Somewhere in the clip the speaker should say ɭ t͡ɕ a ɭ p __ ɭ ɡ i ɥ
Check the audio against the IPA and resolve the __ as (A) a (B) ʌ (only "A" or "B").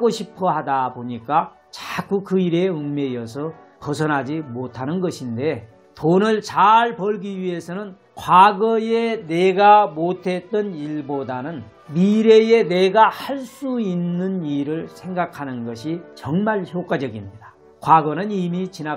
B